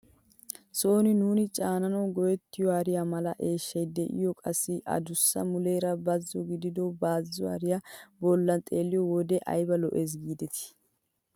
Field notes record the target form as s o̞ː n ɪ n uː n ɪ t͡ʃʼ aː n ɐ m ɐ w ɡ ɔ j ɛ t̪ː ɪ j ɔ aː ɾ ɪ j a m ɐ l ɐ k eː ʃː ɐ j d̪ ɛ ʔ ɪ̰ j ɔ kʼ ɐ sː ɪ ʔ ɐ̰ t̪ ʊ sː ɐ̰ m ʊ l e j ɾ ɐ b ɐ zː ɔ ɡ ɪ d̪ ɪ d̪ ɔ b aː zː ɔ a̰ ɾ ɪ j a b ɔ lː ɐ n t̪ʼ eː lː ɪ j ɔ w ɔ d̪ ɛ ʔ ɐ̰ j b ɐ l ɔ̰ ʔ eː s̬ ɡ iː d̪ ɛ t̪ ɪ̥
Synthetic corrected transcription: s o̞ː n ɪ n uː n ɪ t͡ʃʼ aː n ɐ n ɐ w ɡ ɔ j ɛ t̪ː ɪ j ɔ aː ɾ ɪ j a m ɐ l ɐ ʔ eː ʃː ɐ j d̪ ɛ ʔ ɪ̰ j ɔ kʼ ɐ sː ɪ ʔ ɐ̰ d̪ ʊ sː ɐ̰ m ʊ l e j ɾ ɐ b ɐ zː ɔ ɡ ɪ d̪ ɪ d̪ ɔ b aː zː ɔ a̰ ɾ ɪ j a b ɔ lː ɐ n t̪ʼ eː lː ɪ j ɔ w ɔ d̪ ɛ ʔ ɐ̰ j b ɐ l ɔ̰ ʔ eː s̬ ɡ iː d̪ ɛ t̪ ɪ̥